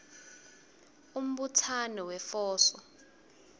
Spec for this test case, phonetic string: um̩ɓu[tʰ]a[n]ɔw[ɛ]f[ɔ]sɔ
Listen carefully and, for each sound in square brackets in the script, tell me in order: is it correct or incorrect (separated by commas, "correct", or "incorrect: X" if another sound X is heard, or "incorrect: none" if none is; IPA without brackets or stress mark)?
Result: correct, correct, correct, incorrect: ɔː